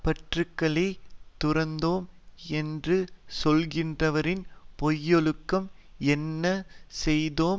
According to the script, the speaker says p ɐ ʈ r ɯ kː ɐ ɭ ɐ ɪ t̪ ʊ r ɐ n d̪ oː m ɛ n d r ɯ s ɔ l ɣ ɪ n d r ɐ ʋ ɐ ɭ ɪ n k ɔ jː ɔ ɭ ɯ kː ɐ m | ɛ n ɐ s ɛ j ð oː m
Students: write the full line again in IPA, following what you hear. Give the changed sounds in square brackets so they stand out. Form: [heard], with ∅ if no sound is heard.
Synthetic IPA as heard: p ɐ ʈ r ɯ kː ɐ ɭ ɐ ɪ t̪ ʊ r ɐ n d̪ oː m ɛ n d r ɯ s ɔ l ɣ ɪ n d r ɐ ʋ ɐ [ɾ] ɪ n [p] ɔ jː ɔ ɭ ɯ kː ɐ m | ɛ [nː] ɐ s ɛ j ð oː m